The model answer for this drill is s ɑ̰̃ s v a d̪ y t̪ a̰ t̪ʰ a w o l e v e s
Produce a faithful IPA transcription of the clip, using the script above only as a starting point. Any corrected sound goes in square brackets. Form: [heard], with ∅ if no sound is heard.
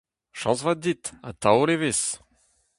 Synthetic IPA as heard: [ʃ] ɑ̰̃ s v a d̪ [i] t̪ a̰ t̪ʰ a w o l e v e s